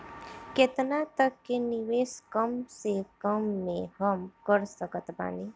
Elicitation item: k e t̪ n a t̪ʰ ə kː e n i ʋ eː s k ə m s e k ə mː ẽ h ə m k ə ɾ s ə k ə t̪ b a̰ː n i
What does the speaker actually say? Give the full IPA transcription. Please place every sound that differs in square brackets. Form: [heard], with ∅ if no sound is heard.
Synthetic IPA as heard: k e t̪ n a [t̪] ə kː e n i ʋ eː s k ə m s e k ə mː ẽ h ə m k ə ɾ s ə k ə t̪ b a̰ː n i